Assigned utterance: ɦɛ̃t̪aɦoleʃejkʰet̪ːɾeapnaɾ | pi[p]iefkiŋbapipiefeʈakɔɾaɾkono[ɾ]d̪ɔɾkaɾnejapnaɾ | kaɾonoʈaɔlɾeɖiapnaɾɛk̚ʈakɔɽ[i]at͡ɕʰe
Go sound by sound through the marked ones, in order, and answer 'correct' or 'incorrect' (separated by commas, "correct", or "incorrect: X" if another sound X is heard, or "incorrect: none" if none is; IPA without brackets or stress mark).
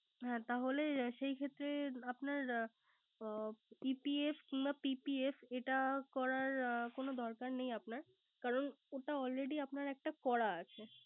correct, incorrect: none, incorrect: a